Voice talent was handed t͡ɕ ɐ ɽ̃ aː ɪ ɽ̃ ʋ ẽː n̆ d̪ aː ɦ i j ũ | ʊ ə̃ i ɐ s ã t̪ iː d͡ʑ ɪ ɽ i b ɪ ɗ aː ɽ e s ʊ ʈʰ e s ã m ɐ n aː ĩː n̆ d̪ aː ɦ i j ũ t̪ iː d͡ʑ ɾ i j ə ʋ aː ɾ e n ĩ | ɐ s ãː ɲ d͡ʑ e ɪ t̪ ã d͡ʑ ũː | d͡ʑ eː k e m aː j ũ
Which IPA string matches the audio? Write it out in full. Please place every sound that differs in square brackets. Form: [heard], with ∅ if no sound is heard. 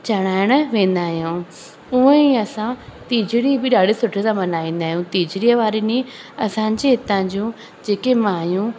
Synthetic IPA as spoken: t͡ɕ ɐ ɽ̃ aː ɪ ɽ̃ ʋ ẽː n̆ d̪ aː ɦ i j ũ | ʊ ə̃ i ɐ s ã t̪ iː d͡ʑ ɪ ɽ i b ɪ ɗ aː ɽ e s ʊ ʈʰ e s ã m ɐ n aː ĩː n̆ d̪ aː ɦ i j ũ t̪ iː d͡ʑ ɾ i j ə ʋ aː ɾ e n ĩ | ɐ s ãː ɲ d͡ʑ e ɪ t̪ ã d͡ʑ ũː | d͡ʑ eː k e m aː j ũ